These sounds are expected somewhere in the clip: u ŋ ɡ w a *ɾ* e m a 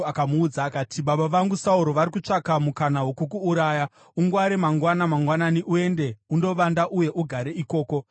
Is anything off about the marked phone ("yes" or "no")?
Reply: no